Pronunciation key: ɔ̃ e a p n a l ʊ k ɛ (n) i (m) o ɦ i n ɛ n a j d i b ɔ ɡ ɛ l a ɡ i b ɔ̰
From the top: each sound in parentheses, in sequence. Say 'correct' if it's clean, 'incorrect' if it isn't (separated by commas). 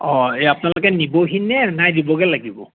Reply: correct, incorrect